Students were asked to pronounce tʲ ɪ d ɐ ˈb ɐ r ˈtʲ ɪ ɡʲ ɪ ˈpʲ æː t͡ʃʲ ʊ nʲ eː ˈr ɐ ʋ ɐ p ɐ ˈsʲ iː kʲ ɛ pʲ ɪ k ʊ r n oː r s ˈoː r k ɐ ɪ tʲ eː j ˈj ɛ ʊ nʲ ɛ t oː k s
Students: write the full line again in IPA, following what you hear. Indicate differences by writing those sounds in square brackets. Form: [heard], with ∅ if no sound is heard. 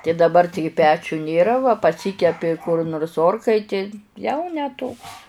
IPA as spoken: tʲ ɪ d ɐ ˈb ɐ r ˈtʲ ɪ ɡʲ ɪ ˈpʲ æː t͡ʃʲ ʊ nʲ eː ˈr ɐ ʋ ɐ p ɐ ˈsʲ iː kʲ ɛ pʲ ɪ k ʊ r n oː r s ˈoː r k ɐ ɪ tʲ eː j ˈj ɛ ʊ nʲ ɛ t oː k s

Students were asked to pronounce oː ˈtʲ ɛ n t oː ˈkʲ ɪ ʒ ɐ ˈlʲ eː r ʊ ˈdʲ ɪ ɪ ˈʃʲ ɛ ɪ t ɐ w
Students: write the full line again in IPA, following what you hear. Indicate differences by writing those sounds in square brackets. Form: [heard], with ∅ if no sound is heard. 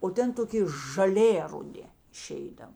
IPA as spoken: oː ˈtʲ ɛ n t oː ˈkʲ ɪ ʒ ɐ ˈlʲ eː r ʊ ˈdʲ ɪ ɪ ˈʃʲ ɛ ɪ [d] ɐ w

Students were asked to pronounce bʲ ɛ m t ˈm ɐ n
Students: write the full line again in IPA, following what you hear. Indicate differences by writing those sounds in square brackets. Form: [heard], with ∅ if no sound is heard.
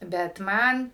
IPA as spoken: bʲ ɛ [∅] t ˈm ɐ n

